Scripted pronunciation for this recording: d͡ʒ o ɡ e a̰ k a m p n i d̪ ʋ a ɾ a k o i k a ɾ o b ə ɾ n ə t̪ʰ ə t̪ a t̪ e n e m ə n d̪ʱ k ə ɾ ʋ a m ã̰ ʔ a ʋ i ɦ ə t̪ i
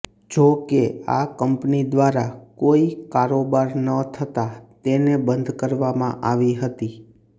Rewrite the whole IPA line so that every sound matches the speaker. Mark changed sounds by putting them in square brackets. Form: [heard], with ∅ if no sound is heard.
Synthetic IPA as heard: d͡ʒ o [k] e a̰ k [ə] m p n i d̪ ʋ a ɾ a k o i k a ɾ o b [a] ɾ n ə t̪ʰ ə t̪ a t̪ e n e [b] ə n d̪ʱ k ə ɾ ʋ a m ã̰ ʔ a ʋ i ɦ ə t̪ i

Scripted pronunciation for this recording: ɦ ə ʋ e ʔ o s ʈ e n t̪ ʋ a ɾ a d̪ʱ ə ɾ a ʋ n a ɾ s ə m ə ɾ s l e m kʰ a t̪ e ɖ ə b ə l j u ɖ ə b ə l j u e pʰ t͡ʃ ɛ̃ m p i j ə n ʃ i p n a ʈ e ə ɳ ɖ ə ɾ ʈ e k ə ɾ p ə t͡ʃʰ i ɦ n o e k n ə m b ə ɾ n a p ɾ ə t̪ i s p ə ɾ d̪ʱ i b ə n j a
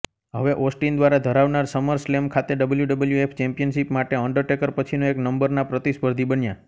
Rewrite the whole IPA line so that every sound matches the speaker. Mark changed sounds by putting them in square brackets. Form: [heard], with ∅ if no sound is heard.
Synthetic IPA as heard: ɦ ə ʋ e ʔ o s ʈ [i] n [d̪] ʋ a ɾ a d̪ʱ ə ɾ a ʋ n a ɾ s ə m ə ɾ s l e m kʰ a t̪ e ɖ ə b ə l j u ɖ ə b ə l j u e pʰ t͡ʃ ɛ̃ m p i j ə n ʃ i p [m] a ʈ e ə ɳ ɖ ə ɾ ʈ e k ə ɾ p ə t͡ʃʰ i [∅] n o e k n ə m b ə ɾ n a p ɾ ə t̪ i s p ə ɾ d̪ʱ i b ə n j a

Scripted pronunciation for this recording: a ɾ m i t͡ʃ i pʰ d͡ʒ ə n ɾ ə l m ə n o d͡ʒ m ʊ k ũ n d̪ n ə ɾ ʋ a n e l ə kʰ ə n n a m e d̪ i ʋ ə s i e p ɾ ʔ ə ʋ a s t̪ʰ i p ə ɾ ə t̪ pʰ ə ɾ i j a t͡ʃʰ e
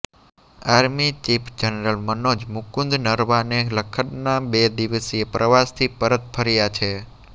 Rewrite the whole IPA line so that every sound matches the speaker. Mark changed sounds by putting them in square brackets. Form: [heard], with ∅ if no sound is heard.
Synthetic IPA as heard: a ɾ m i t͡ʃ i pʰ d͡ʒ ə n ɾ ə l m ə n o d͡ʒ m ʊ k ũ n d̪ n ə ɾ ʋ a n e l ə kʰ ə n n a [b] e d̪ i ʋ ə s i e p ɾ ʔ ə ʋ a s t̪ʰ i p ə ɾ ə t̪ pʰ ə ɾ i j a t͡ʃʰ e

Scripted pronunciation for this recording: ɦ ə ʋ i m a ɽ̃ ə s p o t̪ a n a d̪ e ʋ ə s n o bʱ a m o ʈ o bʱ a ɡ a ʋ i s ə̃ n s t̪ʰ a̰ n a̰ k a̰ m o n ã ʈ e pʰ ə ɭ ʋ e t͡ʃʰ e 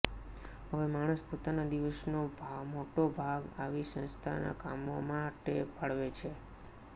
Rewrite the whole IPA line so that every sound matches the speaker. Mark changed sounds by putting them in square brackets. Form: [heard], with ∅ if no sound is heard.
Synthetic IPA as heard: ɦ ə ʋ [e] m a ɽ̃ ə s p o t̪ a n a d̪ [i] ʋ ə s n o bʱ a m o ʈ o bʱ a ɡ a ʋ i s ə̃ n s t̪ʰ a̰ n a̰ k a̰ m o [m] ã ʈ e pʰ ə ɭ ʋ e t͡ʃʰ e

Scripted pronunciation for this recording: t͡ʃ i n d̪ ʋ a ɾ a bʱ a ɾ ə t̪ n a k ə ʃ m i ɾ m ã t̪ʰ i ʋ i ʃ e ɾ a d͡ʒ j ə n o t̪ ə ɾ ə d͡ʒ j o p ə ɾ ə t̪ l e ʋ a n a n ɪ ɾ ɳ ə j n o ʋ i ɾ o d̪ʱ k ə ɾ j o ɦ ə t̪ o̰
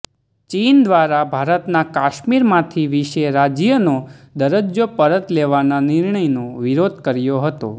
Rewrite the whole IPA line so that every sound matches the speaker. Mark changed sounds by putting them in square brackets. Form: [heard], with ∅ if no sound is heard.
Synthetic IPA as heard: t͡ʃ i n d̪ ʋ a ɾ a bʱ a ɾ ə t̪ n a k [a] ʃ m i ɾ m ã t̪ʰ i ʋ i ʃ e ɾ a d͡ʒ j ə n o [d̪] ə ɾ ə d͡ʒ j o p ə ɾ ə t̪ l e ʋ a n a n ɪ ɾ ɳ ə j n o ʋ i ɾ o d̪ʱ k ə ɾ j o ɦ ə t̪ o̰

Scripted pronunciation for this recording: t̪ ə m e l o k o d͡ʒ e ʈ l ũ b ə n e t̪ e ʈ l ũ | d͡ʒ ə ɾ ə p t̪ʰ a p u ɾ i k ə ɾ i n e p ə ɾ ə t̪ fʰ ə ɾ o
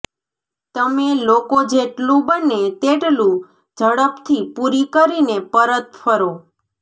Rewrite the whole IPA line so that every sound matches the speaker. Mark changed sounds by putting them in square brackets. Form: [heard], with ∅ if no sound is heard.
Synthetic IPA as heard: t̪ ə m e l o k o d͡ʒ e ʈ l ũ b ə n e t̪ e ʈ l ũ | d͡ʒ ə [ɽ] ə p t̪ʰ [i] p u ɾ i k ə ɾ i n e p ə ɾ ə t̪ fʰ ə ɾ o

